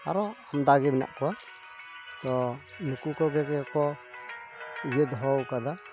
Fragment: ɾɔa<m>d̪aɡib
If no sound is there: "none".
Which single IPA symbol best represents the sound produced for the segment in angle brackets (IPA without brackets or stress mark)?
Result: m